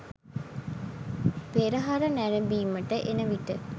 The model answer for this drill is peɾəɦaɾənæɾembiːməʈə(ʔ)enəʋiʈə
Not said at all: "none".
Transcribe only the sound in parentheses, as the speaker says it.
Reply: ʔ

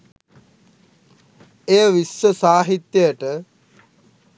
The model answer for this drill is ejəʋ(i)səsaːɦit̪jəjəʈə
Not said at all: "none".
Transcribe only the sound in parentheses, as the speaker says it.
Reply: i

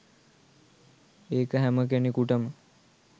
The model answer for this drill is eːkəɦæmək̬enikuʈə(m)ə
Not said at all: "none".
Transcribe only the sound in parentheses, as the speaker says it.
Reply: m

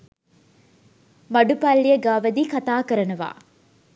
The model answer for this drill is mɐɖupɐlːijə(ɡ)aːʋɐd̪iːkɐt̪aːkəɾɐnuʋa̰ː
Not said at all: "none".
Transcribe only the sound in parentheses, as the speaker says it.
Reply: ɡ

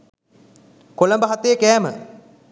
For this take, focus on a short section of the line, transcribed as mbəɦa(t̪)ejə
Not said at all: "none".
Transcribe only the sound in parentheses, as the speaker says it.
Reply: t̪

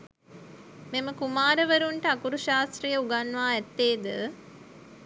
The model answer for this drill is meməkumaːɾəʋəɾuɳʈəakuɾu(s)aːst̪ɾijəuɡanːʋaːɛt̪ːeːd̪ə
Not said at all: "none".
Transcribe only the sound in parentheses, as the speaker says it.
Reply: ʃ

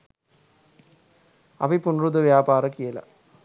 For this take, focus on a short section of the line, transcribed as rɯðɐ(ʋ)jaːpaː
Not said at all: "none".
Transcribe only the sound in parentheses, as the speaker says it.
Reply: ʋ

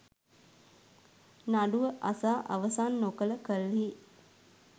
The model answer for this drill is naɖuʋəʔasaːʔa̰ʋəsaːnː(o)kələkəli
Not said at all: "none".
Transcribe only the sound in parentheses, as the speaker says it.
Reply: o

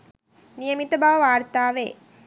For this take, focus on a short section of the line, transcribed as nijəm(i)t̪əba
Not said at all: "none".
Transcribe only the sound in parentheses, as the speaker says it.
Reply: i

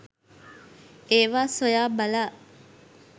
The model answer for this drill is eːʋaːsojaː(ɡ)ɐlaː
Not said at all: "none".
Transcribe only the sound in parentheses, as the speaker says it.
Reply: b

